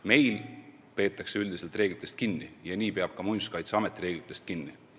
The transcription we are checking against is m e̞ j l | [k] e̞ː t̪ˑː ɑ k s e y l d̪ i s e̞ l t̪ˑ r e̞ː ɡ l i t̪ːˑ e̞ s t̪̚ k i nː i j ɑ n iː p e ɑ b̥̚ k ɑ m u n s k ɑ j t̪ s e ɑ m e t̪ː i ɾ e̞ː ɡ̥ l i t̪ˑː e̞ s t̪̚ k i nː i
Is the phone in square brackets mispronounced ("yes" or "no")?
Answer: yes